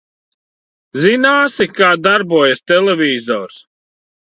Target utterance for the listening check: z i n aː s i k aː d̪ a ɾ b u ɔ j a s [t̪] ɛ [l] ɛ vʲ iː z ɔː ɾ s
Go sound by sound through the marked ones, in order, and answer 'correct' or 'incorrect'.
correct, correct

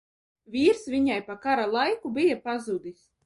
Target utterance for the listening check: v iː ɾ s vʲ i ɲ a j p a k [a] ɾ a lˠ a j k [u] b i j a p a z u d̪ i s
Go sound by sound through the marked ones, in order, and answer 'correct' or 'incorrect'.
correct, correct

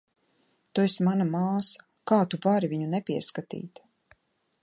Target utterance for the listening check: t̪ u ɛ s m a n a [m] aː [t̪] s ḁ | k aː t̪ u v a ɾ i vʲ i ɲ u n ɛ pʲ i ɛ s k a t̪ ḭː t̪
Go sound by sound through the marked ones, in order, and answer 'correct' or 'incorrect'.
correct, incorrect: none

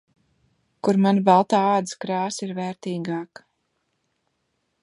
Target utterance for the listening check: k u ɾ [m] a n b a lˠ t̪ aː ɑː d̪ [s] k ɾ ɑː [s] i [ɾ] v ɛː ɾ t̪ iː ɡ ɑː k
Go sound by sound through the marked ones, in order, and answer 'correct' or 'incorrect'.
correct, correct, correct, correct

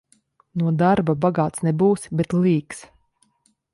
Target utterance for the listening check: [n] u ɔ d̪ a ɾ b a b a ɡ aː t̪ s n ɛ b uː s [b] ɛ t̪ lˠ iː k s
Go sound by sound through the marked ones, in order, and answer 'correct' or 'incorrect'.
correct, correct

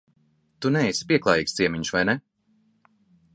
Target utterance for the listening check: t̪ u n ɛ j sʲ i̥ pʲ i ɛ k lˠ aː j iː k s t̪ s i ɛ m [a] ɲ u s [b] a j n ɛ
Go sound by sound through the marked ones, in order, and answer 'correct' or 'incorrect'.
incorrect: i, incorrect: v

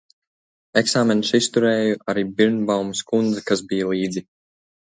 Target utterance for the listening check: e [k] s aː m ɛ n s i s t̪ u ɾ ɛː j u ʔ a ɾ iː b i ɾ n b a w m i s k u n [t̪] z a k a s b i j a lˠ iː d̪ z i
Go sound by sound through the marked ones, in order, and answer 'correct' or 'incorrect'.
correct, incorrect: d̪

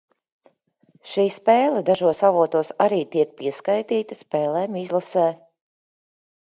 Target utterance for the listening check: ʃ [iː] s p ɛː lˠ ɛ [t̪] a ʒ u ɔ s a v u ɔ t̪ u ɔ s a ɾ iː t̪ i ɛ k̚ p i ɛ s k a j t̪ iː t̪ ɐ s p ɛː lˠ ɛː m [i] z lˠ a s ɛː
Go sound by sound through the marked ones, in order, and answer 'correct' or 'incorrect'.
correct, incorrect: d̪, correct

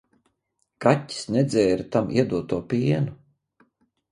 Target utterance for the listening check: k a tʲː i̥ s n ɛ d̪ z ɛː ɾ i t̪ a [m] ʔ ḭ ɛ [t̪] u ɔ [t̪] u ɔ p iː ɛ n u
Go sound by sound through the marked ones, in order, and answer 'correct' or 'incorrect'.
correct, incorrect: d̪, correct

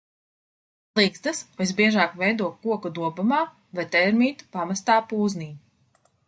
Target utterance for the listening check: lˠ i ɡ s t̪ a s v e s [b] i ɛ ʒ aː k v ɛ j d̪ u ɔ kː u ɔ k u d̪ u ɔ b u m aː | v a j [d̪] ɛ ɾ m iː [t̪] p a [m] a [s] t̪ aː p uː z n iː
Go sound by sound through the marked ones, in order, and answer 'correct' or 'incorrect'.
correct, incorrect: t̪, correct, correct, correct

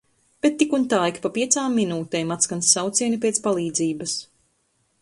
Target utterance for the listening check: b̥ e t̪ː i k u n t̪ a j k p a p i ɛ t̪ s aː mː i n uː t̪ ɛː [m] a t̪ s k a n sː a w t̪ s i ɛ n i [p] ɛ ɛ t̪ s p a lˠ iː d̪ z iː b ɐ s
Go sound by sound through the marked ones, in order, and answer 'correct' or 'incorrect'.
correct, correct

